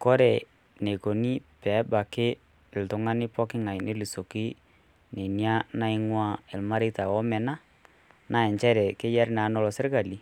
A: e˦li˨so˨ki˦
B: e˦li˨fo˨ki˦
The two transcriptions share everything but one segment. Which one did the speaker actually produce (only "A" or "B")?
A